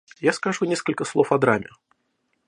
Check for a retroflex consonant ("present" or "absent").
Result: present